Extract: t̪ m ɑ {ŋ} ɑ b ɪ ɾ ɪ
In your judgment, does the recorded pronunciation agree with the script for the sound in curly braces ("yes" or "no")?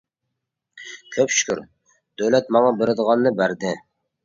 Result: yes